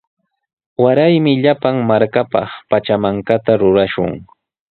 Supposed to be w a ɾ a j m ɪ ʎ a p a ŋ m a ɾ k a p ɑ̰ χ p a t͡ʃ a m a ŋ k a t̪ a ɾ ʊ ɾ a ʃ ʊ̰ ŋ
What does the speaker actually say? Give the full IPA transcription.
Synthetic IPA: w a ɾ a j m ɪ ʎ a p a ŋ m a ɾ k a p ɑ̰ χ p a t͡ʃ a m a ŋ k a t̪ a ɾ ʊ ɾ a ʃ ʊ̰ ŋ